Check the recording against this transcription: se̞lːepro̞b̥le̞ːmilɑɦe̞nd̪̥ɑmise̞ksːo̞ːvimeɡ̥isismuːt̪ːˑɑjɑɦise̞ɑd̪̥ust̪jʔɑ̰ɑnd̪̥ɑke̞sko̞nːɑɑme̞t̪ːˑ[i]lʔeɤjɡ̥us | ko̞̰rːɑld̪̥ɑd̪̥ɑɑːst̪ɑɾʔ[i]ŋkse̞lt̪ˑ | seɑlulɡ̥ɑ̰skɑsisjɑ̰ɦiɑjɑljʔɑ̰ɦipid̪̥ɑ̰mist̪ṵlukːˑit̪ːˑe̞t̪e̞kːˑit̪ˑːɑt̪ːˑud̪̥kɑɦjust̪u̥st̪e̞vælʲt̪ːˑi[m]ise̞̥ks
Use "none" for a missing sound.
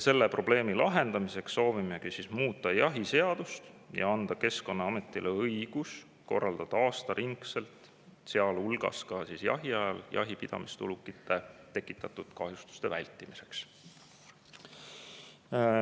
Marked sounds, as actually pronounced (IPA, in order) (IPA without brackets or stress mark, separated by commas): i, i, m